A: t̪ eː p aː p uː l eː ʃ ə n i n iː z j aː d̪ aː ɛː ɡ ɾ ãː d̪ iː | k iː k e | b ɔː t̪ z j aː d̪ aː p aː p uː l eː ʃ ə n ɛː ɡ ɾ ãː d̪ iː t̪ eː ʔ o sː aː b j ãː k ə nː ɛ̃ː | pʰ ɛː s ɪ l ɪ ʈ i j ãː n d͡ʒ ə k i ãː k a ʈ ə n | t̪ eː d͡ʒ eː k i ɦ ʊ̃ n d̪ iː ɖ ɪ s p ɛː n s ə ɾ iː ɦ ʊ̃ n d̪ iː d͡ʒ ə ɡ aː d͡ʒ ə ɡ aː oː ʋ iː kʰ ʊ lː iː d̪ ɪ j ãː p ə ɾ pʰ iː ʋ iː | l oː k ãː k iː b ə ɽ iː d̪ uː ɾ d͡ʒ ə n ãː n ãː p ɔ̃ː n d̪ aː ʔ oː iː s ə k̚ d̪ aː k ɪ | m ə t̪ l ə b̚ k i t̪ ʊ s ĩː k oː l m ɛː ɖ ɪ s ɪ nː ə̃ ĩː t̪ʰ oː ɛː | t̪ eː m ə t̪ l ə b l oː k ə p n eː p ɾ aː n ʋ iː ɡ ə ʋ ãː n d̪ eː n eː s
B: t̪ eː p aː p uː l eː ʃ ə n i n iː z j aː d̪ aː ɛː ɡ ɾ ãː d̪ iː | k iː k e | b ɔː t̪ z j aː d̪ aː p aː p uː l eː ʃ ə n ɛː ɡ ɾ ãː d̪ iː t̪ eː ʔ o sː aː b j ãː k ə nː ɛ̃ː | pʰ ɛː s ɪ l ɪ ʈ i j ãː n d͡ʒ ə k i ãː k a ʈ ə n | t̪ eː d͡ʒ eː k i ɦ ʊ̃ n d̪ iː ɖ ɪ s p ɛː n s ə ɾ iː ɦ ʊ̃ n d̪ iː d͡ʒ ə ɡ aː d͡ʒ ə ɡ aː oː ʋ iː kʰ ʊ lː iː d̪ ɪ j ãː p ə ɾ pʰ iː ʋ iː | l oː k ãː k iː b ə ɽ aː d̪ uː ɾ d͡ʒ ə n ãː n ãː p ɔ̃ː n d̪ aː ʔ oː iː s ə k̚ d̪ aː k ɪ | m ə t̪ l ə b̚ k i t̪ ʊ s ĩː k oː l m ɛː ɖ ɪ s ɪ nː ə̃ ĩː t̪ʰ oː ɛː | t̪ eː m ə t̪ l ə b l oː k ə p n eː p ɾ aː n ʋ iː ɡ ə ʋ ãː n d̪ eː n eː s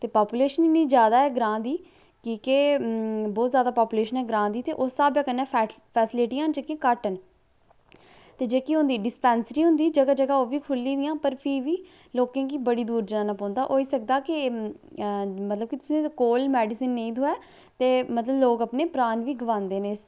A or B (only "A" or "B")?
A